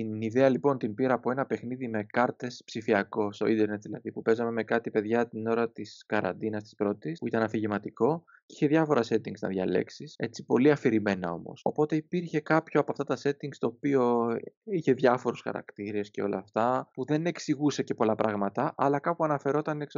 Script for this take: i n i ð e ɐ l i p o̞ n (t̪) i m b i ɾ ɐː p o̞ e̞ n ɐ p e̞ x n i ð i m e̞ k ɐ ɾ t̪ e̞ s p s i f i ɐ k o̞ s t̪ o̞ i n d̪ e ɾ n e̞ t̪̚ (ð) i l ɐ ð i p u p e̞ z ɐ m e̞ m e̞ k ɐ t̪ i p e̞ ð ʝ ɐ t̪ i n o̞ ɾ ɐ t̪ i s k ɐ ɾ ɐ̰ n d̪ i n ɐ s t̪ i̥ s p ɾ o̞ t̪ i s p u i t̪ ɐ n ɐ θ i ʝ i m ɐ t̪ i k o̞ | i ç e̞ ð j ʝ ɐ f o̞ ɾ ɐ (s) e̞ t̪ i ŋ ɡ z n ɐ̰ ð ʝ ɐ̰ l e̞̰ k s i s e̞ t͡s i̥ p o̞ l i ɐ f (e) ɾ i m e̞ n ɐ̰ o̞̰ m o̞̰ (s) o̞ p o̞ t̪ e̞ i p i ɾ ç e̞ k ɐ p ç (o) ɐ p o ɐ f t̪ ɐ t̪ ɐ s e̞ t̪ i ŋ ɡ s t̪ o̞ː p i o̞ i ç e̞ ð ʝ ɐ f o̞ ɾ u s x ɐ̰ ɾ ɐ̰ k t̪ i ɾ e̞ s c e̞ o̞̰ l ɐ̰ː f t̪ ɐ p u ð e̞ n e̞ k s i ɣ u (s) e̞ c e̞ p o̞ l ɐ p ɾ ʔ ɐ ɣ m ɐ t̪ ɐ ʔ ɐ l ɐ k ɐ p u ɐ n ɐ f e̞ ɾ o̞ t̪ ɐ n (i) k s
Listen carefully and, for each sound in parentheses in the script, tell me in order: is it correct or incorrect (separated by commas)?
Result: correct, correct, correct, incorrect, correct, correct, correct, incorrect